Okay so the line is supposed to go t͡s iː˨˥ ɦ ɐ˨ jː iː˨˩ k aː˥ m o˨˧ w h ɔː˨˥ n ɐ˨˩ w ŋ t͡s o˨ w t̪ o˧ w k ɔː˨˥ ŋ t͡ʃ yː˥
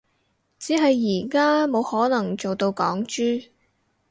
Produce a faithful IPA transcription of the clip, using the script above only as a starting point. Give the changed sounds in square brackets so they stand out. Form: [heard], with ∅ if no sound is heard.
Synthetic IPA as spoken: t͡s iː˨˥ ɦ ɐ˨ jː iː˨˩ k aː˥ m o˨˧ w h ɔː˨˥ n ɐ˨˩ [∅] ŋ t͡s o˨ w t̪ o˧ w k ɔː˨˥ ŋ t͡ʃ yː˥